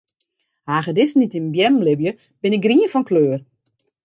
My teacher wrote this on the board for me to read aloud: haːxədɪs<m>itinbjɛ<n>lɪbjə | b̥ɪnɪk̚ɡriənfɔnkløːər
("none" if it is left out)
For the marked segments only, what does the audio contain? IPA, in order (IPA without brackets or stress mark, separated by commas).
n, m